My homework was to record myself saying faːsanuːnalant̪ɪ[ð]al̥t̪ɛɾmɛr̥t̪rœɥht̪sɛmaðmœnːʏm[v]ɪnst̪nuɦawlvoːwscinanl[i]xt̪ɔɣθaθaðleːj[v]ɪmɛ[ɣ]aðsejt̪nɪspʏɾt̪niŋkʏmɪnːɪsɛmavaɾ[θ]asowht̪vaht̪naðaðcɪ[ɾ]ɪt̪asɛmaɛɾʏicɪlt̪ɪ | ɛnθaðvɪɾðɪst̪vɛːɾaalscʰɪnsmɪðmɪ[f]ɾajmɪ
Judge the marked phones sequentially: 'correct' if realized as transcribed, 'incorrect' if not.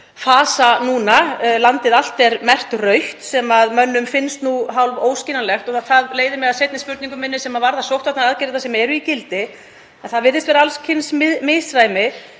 correct, incorrect: f, incorrect: ɛ, incorrect: ð, correct, incorrect: ð, correct, incorrect: s

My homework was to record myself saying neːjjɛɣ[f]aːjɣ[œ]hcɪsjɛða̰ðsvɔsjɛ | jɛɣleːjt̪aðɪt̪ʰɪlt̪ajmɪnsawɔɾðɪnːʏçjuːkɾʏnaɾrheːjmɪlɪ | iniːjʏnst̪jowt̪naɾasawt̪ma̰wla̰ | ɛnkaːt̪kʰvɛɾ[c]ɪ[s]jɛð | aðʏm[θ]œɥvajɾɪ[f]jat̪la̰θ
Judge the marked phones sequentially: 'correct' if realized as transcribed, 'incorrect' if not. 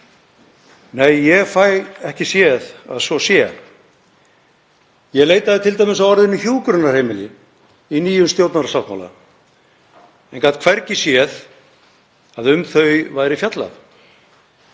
correct, incorrect: ɛ, correct, correct, correct, correct

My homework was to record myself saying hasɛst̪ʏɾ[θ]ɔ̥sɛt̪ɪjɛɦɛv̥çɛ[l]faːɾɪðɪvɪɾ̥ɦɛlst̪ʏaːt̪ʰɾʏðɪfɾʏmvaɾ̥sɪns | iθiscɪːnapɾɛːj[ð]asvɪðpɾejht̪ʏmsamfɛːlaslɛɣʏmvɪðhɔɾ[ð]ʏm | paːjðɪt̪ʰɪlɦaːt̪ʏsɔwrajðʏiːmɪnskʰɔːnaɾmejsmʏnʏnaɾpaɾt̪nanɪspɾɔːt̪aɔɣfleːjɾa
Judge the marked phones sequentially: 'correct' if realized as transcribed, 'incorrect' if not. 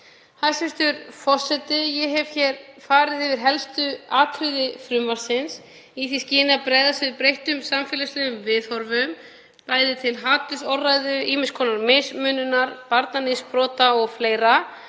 incorrect: f, incorrect: ɾ, correct, incorrect: v

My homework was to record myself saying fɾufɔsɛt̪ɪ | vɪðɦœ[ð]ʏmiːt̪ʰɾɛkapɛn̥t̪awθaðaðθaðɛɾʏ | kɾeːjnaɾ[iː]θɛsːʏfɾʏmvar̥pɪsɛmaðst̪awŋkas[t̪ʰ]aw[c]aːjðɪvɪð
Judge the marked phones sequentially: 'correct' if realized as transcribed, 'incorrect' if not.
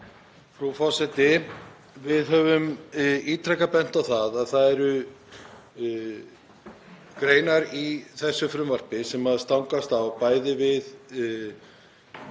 incorrect: v, incorrect: i, incorrect: t̪, incorrect: p

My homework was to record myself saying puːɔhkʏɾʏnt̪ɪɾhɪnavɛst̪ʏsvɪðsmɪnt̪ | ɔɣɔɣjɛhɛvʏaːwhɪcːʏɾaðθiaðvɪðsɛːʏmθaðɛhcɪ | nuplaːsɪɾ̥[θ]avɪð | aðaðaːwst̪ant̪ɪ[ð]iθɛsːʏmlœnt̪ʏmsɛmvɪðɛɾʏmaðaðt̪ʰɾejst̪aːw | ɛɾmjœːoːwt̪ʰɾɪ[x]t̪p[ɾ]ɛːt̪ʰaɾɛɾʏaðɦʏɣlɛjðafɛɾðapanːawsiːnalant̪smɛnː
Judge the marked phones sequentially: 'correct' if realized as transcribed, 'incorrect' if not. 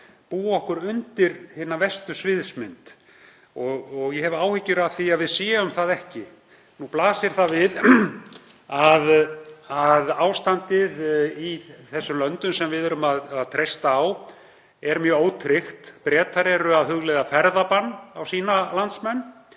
correct, correct, correct, correct

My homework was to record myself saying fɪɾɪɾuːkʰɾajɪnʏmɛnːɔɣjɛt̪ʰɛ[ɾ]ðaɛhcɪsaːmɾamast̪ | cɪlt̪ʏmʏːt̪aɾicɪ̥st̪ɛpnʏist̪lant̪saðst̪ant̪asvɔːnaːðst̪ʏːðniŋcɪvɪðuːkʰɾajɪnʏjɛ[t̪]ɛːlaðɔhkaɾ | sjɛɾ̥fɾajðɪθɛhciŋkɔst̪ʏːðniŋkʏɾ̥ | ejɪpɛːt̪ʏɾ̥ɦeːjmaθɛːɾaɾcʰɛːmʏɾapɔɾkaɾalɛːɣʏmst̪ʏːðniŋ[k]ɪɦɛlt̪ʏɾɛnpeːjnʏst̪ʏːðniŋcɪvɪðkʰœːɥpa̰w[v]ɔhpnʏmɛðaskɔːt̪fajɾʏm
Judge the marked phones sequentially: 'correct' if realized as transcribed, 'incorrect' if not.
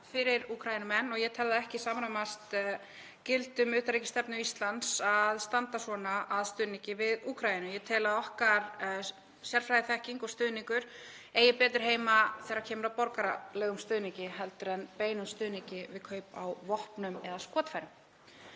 incorrect: l, incorrect: t̪ʰ, incorrect: c, correct

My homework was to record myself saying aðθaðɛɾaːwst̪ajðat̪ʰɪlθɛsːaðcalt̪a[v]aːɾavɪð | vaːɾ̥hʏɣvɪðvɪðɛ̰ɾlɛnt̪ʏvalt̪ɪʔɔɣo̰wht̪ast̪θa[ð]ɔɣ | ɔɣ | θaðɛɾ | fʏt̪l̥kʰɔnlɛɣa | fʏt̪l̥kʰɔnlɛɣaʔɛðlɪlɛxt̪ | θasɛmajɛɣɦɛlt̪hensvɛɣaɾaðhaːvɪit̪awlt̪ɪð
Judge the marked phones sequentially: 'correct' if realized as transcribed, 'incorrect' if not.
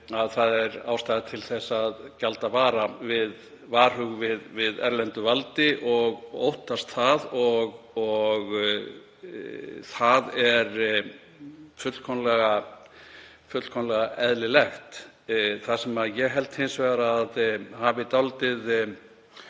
correct, correct

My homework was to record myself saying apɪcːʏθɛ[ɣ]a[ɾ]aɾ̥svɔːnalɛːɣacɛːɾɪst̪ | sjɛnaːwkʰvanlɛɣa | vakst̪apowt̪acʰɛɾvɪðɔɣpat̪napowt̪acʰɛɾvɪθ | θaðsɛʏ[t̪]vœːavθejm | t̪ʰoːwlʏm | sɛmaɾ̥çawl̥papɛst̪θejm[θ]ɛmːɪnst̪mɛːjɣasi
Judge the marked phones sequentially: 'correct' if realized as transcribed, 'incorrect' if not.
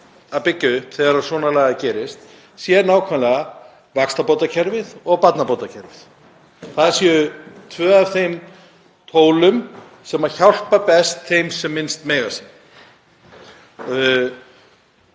correct, correct, incorrect: t̪ʰ, incorrect: s

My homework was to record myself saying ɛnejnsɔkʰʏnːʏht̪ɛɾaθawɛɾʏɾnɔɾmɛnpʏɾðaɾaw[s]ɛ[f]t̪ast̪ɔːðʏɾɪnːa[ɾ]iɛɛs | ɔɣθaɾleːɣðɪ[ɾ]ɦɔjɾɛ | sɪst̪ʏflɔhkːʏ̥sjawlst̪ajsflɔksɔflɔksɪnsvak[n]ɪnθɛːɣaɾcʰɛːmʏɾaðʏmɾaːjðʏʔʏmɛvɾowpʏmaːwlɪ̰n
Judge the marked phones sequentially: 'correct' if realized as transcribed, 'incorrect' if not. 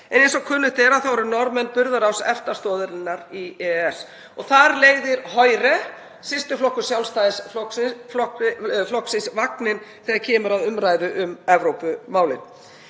correct, correct, correct, correct, correct

